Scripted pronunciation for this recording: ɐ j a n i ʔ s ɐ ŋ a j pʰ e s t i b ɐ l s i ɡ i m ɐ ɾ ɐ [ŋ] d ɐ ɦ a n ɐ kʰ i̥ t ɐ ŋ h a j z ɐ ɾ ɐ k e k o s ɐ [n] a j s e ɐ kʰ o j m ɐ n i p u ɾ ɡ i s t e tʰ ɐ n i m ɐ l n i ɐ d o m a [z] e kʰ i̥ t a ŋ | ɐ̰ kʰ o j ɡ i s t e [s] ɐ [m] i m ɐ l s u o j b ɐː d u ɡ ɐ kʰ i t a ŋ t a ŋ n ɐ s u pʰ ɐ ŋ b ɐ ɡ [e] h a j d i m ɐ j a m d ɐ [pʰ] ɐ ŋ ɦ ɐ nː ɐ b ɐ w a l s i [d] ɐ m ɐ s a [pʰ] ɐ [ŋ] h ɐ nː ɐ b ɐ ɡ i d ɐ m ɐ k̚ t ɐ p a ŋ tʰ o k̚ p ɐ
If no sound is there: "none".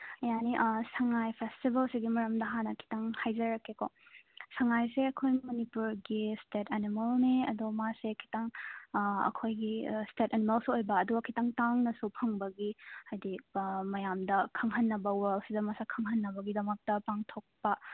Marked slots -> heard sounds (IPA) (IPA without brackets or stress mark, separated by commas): m, ŋ, s, t, n, i, kʰ, d, kʰ, ŋ